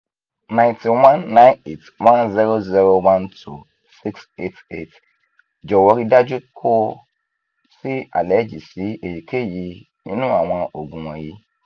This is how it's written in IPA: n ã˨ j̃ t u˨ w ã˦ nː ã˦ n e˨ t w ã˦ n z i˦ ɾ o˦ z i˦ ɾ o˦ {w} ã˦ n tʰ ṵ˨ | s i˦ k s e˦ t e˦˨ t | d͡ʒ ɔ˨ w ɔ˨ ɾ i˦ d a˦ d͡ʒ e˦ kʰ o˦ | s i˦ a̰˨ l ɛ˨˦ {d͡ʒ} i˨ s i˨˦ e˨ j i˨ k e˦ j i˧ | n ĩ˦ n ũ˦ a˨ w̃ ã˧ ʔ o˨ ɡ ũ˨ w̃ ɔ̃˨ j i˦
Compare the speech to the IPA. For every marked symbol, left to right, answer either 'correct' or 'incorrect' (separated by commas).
correct, correct